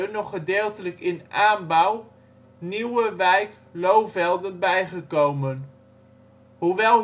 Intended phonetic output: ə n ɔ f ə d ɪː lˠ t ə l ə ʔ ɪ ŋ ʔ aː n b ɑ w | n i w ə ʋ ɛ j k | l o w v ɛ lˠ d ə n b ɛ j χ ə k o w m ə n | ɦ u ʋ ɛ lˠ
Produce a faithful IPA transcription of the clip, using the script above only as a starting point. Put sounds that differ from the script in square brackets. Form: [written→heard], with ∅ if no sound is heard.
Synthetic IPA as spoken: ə n ɔ [f→χ] ə d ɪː lˠ t ə l ə [ʔ→k] ɪ [ŋ→n] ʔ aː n b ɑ w | n i w ə ʋ ɛ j k | l o w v ɛ lˠ d ə n b ɛ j χ ə k o w m ə n | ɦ u ʋ ɛ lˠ

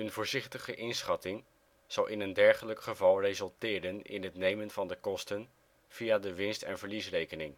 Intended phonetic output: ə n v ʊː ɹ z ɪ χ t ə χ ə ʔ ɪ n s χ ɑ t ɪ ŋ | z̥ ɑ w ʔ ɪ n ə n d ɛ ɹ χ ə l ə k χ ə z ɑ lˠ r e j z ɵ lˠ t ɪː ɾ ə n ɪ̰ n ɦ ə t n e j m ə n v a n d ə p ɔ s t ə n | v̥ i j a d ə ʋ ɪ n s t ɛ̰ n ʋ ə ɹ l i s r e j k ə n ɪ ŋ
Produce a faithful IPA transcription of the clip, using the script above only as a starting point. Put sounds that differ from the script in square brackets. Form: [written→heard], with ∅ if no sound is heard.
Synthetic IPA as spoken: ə n v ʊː ɹ z ɪ χ t ə χ ə ʔ ɪ n s χ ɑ t ɪ ŋ | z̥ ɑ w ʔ ɪ n ə n d ɛ ɹ χ ə l ə k χ ə [z→v] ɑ lˠ r e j z ɵ lˠ t ɪː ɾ ə n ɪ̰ n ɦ ə t n e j m ə n v [a→ɑ] n d ə [p→k] ɔ s t ə n | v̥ i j a d ə ʋ ɪ n s t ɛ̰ n [ʋ→v] ə ɹ l i s r e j k ə n ɪ ŋ

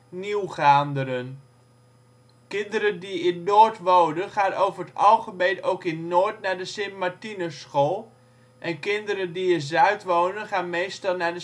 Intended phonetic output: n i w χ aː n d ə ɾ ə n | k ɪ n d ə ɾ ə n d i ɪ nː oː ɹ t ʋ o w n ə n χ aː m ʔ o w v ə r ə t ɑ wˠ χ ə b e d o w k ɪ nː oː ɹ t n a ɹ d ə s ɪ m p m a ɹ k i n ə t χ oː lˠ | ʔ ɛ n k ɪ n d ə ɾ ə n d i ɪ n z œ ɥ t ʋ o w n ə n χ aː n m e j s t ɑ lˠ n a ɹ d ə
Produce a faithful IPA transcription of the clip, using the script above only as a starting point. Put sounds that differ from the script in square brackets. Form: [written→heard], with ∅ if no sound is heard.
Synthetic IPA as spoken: n i w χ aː n d ə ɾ ə n | k ɪ n d ə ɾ ə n d i ɪ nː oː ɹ t ʋ o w n ə n χ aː [m→n] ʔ o w v ə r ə t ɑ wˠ χ ə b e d o w k ɪ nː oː ɹ t n a ɹ d ə s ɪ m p m a ɹ [k→t] i n ə [t→s] χ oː lˠ | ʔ ɛ n k ɪ n d ə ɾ ə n d i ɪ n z œ ɥ t ʋ o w n ə n χ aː n m e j s t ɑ lˠ n a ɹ d ə

